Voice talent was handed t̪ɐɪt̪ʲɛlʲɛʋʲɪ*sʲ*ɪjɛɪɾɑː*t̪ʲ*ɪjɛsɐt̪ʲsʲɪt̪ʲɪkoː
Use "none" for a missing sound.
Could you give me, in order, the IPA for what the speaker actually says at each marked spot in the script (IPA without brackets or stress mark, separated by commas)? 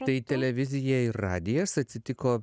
zʲ, d̪ʲ